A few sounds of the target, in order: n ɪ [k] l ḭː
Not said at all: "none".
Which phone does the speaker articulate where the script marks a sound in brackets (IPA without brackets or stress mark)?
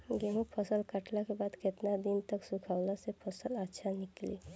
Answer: k